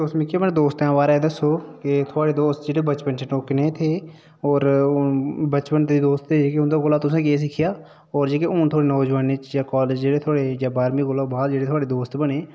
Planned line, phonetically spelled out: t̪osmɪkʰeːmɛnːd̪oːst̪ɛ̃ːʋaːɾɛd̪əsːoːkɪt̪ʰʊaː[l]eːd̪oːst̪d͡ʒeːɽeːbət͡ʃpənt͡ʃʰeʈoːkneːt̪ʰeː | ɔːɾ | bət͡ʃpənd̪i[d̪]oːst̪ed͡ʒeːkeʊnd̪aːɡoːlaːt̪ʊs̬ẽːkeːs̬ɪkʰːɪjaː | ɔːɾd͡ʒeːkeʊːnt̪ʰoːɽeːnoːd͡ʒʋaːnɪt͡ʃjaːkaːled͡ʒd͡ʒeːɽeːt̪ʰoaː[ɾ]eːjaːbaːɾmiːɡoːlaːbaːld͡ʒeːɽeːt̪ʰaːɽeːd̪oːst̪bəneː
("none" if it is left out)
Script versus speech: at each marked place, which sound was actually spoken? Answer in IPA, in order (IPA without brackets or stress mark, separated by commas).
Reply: ɽ, d̪, ɽ